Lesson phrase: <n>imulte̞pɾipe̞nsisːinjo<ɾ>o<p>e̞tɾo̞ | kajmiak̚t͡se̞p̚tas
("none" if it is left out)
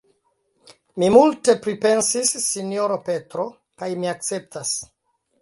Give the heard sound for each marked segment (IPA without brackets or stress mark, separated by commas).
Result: m, ɾ, p